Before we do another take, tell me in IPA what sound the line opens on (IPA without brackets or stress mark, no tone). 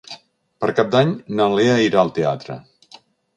p